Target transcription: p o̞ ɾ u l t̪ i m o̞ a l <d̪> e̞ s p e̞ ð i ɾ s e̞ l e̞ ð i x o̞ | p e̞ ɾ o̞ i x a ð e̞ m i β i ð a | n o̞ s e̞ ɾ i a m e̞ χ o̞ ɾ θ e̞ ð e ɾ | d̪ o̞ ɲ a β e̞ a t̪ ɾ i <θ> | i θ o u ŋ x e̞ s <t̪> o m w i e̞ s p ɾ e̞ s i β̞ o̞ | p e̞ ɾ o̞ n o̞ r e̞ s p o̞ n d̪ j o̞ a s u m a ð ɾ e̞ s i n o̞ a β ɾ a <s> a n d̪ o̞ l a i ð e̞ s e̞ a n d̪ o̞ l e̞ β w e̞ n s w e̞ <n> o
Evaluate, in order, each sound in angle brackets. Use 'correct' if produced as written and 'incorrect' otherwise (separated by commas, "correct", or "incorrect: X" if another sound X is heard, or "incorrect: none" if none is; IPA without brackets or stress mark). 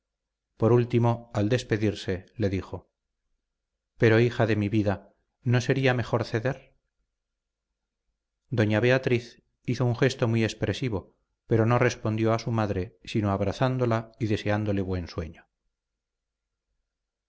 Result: correct, correct, correct, incorrect: θ, incorrect: ɲ